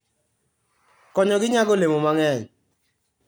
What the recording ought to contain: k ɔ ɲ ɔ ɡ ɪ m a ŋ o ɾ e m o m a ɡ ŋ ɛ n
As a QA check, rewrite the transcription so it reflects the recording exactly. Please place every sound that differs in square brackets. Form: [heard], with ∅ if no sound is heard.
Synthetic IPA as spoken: k ɔ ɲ ɔ ɡ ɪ [ɲ] a [ɡ] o [l] e m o m a [∅] ŋ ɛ [ɲ]